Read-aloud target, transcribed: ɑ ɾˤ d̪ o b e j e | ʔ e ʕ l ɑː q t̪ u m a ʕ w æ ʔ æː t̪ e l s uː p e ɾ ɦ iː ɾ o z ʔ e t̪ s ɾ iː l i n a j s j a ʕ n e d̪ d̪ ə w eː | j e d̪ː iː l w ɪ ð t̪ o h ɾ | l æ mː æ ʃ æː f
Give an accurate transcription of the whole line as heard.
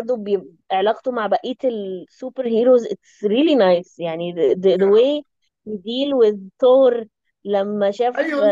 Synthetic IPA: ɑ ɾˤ d̪ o b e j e | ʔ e ʕ l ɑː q t̪ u m a ʕ b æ ʔ iː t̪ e l s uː p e ɾ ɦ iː ɾ o z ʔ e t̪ s ɾ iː l i n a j s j a ʕ n i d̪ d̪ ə w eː | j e d̪ iː l w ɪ ð t̪ o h ɾ | l æ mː æ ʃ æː f